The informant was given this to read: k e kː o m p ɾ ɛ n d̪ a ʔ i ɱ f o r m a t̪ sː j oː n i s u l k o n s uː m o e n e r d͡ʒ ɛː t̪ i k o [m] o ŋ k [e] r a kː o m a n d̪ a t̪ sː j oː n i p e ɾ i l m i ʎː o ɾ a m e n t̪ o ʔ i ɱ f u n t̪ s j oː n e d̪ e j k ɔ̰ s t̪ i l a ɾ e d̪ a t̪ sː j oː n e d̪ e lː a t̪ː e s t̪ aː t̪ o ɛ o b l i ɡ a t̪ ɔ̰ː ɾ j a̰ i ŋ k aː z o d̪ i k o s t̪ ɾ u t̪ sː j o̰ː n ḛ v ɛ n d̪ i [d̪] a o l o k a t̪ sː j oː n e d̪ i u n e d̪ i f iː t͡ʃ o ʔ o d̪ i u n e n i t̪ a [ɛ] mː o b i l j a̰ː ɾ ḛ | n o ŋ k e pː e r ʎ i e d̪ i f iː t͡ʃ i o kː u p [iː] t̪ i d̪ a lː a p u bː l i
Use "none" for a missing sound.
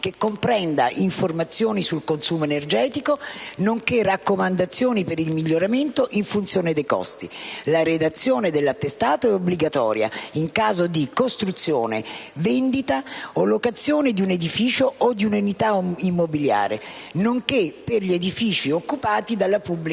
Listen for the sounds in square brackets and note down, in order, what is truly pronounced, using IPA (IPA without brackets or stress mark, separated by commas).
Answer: n, e, t̪, i, aː